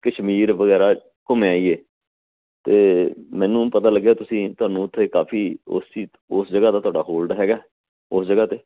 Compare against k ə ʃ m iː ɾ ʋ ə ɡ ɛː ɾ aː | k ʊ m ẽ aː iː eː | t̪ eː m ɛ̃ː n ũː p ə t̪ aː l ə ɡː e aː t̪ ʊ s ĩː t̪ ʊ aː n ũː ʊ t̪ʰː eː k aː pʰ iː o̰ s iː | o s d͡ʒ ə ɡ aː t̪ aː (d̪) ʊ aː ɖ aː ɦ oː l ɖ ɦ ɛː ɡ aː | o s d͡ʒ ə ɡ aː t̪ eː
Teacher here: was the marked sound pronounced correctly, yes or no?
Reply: no